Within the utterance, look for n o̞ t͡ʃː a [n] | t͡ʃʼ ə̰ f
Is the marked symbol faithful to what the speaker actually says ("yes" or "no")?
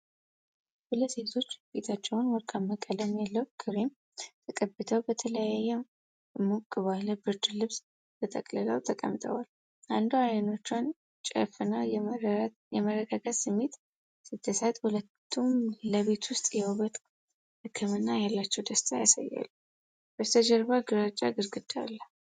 yes